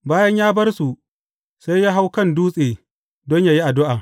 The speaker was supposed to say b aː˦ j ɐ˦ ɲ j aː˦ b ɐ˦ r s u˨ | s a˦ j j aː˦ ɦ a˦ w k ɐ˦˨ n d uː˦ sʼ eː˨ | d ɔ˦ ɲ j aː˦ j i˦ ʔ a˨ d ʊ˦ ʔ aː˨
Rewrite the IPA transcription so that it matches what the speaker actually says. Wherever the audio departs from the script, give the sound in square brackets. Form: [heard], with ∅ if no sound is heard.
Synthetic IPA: b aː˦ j ɐ˦ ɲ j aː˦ b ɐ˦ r s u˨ | s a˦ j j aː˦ ɦ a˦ w k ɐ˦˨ n d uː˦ sʼ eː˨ | d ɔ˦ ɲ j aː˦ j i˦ ʔ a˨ d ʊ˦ ʔ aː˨